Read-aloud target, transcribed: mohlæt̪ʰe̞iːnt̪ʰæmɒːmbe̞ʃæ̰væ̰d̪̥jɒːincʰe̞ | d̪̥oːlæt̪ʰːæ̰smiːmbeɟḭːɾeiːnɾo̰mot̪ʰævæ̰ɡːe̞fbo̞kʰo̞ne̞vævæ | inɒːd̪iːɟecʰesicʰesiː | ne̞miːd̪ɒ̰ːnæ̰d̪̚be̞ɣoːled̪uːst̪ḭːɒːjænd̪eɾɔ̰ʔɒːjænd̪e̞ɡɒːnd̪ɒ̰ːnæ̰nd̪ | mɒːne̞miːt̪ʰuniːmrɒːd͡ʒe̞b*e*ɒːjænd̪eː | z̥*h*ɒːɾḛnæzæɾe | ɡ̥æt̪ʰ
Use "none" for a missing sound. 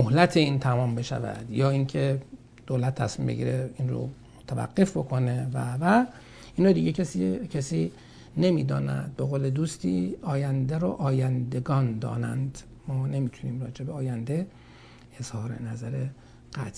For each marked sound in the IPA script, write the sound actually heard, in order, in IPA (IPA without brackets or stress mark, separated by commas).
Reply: e, h